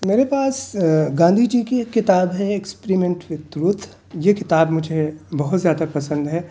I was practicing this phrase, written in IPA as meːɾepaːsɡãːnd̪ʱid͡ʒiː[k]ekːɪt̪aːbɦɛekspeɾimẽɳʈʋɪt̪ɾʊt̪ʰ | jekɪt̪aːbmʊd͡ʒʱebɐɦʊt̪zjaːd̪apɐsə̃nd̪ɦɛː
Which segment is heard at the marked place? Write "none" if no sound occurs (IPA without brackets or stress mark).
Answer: k